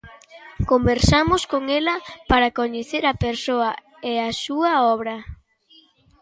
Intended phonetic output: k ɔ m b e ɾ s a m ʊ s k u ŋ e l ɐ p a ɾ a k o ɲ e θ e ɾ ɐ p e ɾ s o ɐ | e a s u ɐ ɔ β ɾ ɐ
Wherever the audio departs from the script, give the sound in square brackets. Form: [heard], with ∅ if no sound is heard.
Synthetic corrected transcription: k [o] m b e ɾ s a m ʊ s k [o] ŋ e l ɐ p a ɾ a k o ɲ e θ e ɾ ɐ p e ɾ s o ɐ | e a s u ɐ ɔ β ɾ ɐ